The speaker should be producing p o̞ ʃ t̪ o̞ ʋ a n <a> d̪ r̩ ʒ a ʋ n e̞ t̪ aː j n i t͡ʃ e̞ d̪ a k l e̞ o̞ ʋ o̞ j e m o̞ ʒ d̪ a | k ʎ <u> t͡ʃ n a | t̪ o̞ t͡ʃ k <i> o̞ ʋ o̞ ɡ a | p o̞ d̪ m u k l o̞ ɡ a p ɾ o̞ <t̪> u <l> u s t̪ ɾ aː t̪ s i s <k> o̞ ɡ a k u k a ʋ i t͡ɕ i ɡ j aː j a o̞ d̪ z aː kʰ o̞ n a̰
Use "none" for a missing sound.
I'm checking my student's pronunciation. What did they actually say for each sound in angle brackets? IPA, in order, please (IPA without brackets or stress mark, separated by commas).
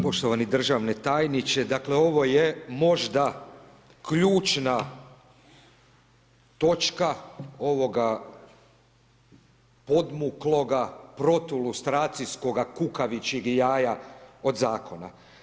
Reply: i, uː, a, t̪, l, k